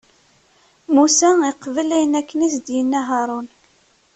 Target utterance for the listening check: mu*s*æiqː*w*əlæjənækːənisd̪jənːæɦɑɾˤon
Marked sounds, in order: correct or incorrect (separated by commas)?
correct, incorrect